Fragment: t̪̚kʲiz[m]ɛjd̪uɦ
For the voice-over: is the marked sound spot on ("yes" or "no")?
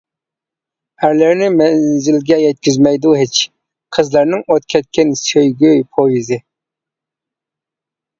yes